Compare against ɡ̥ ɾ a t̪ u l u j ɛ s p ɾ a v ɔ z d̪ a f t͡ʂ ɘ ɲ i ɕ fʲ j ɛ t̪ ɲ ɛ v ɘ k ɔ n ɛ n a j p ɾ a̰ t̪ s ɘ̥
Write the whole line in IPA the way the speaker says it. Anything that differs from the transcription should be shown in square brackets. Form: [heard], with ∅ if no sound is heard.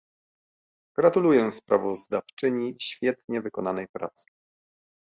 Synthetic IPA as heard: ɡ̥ ɾ a t̪ u l u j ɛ s p ɾ a v ɔ z d̪ a f t͡ʂ ɘ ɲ i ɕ fʲ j ɛ t̪ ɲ ɛ v ɘ k ɔ n [a] n [ɛ] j p ɾ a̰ t̪ s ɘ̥